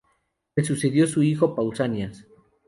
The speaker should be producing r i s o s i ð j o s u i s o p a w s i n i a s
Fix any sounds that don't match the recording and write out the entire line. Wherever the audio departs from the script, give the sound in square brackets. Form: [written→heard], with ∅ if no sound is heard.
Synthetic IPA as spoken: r [i→e] s [o→u] s [i→e] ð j o s u i [s→x] o p a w s [i→a] n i a s